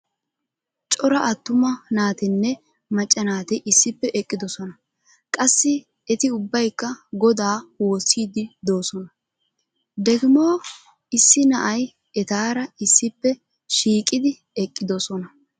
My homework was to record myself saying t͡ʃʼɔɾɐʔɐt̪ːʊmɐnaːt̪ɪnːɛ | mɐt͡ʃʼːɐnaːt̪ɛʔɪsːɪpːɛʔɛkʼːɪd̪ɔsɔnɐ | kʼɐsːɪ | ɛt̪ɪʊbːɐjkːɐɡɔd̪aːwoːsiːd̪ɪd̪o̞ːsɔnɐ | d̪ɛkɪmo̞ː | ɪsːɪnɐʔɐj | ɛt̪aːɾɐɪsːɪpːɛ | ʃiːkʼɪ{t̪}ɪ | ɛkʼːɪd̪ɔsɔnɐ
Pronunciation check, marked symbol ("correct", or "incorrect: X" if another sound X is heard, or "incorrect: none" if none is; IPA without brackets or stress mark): incorrect: d̪